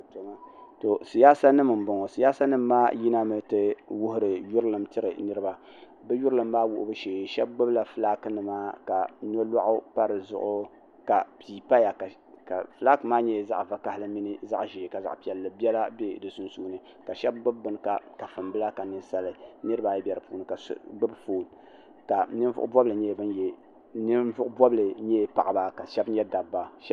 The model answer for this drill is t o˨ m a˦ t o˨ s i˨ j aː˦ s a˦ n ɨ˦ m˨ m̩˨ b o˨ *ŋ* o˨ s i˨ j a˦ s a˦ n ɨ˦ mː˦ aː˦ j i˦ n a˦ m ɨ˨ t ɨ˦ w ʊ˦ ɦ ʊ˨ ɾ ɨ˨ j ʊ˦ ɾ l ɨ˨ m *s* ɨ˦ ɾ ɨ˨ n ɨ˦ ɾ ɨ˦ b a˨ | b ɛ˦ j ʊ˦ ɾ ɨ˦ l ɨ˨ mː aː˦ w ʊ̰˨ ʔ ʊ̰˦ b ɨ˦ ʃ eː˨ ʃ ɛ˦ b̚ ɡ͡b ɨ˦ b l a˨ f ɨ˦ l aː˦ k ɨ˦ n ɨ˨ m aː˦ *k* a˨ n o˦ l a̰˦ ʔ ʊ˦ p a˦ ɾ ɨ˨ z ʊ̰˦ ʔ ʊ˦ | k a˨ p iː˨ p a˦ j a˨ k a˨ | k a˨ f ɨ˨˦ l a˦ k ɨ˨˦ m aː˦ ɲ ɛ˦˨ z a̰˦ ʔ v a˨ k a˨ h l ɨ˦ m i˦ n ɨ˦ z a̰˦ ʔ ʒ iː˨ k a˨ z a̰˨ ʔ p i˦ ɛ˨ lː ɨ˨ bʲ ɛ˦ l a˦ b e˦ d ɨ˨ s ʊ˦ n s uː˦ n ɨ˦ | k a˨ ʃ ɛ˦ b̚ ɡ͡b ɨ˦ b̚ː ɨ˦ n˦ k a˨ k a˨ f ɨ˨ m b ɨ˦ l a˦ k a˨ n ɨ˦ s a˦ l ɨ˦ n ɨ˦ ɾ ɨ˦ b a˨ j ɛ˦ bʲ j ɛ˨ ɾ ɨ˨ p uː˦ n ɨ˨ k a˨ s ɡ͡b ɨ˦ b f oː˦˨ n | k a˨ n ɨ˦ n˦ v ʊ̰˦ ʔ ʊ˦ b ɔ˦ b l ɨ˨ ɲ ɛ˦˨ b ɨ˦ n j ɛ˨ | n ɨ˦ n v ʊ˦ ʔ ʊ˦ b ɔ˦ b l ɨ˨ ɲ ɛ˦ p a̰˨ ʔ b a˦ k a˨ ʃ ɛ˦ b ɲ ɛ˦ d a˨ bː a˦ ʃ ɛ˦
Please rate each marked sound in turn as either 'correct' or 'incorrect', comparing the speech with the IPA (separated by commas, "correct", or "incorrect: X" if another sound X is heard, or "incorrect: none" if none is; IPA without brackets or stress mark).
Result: correct, incorrect: t, correct